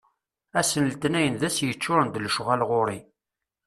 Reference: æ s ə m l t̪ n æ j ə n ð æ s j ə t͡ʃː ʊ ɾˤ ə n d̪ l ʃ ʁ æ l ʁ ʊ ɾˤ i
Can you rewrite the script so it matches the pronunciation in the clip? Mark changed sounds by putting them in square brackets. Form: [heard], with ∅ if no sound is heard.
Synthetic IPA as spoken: æ s ə [n] l t̪ n æ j ə n ð æ s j ə t͡ʃː ʊ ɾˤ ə n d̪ l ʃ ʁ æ l ʁ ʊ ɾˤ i